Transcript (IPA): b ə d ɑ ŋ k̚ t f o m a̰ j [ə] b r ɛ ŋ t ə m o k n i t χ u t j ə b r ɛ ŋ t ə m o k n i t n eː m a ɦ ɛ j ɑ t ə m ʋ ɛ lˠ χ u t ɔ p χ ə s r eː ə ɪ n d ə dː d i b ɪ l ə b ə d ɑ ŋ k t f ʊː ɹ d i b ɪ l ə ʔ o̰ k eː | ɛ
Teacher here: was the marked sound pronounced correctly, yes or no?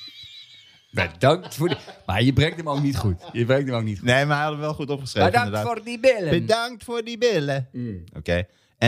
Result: yes